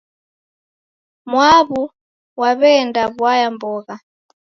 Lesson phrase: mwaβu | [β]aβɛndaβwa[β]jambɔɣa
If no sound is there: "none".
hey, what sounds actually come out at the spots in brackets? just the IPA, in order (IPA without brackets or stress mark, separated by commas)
w, none